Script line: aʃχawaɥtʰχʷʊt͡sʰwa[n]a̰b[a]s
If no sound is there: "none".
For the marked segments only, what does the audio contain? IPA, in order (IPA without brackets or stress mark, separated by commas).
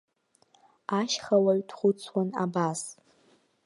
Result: n, a